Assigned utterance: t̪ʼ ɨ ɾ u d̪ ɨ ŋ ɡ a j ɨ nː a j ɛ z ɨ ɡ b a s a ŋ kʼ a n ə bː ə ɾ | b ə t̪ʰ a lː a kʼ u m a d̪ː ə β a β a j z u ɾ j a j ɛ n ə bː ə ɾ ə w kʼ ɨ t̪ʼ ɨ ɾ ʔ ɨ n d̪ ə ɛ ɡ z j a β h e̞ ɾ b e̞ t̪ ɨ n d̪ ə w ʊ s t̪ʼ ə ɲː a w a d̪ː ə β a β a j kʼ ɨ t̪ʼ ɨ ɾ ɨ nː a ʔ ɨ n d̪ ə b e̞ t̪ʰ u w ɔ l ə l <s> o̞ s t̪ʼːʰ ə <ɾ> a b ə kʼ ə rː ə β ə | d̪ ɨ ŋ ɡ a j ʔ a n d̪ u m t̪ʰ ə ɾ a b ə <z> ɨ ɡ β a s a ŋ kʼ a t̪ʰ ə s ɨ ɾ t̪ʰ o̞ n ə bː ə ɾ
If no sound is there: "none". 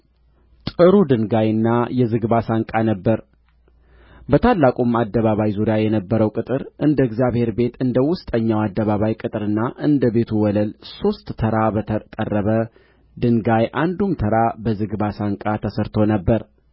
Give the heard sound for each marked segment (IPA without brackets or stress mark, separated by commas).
s, ɾ, z